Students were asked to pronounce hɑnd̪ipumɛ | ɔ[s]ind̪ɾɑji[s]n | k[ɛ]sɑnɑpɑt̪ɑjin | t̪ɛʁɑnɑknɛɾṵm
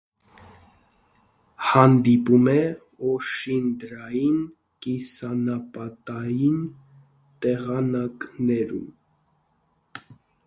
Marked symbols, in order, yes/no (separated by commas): no, no, no